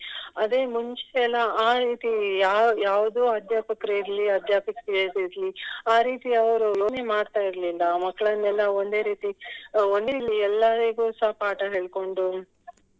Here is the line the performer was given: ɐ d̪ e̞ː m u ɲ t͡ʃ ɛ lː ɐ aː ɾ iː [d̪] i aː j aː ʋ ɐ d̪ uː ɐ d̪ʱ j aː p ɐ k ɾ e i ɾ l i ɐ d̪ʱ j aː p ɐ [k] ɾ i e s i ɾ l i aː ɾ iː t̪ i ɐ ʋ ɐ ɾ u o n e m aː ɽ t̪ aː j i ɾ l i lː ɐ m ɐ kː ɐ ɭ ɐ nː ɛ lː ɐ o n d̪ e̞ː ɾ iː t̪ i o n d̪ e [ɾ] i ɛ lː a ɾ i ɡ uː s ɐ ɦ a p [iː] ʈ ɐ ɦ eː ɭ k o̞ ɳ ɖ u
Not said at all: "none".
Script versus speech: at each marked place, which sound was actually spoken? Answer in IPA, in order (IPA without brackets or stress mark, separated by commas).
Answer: t̪, k, l, aː